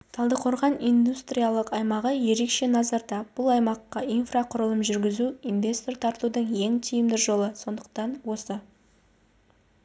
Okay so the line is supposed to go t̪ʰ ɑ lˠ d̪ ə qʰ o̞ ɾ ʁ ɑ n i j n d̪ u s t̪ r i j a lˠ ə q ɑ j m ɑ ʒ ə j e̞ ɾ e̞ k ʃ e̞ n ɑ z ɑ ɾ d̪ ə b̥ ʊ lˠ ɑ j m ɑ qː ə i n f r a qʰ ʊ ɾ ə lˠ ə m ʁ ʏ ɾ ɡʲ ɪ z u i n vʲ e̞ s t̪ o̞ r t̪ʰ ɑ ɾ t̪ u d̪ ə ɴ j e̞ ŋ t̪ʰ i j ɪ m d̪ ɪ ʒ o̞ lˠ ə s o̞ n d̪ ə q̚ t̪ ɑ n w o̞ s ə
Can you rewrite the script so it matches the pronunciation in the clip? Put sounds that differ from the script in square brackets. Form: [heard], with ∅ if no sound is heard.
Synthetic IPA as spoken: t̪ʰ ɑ lˠ d̪ ə qʰ o̞ ɾ ʁ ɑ n i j n d̪ u s t̪ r i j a lˠ ə q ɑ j m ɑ [ʁ] ə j e̞ ɾ e̞ k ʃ e̞ n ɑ z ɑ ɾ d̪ [ɑ] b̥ ʊ lˠ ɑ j m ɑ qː [ɑ] i n f r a qʰ ʊ ɾ ə lˠ ə m [ʒ] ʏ ɾ ɡʲ ɪ z u i n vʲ e̞ s t̪ o̞ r t̪ʰ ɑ ɾ t̪ u d̪ ə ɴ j e̞ ŋ t̪ʰ i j ɪ m d̪ ɪ ʒ o̞ lˠ ə s o̞ n d̪ ə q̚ t̪ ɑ n w o̞ s ə